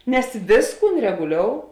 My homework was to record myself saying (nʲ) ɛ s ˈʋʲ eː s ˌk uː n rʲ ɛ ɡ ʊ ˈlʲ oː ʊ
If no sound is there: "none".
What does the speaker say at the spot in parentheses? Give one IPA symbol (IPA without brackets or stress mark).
nʲ